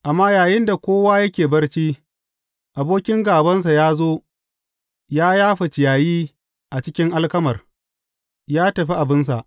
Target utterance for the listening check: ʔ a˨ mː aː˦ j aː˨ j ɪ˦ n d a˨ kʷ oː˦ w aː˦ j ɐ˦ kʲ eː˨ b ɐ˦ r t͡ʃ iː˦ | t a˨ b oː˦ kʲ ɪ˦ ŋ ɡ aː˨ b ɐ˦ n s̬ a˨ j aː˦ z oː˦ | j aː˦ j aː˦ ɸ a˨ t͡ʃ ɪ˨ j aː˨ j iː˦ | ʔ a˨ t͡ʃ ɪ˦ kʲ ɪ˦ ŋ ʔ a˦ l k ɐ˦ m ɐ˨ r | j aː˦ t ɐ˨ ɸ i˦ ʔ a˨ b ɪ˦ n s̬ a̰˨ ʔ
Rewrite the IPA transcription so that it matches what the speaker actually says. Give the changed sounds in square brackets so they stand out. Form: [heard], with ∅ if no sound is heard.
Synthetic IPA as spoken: ʔ a˨ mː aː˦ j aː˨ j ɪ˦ n d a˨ kʷ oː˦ w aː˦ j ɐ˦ kʲ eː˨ b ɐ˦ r t͡ʃ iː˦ | [ʔ] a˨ b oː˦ kʲ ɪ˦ ŋ ɡ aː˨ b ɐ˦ n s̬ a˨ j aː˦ z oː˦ | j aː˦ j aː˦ ɸ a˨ t͡ʃ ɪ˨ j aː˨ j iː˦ | ʔ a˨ t͡ʃ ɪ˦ kʲ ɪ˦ ŋ ʔ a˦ l k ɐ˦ m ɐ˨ r | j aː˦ t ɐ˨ ɸ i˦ ʔ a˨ b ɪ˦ n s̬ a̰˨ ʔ